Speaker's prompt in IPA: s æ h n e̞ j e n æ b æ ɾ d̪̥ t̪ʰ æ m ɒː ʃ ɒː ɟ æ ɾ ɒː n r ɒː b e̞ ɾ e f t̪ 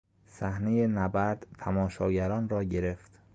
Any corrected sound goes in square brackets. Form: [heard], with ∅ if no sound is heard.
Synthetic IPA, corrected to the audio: s æ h n e̞ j e n æ b æ ɾ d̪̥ t̪ʰ æ m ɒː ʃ ɒː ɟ æ ɾ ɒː n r ɒː [ɟ] e̞ ɾ e f t̪